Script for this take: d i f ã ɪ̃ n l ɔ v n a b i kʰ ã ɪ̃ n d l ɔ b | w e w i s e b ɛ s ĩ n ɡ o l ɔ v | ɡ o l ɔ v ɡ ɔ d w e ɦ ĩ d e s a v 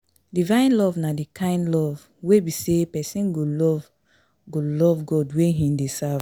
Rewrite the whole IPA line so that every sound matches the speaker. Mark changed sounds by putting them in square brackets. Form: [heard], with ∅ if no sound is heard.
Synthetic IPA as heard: d i [v] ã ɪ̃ n l ɔ v n a [d] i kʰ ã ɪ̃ n d l ɔ [v] | w e [b] i s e [p] ɛ s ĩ n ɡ o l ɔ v | ɡ o l ɔ v ɡ ɔ d w e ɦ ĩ d e s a v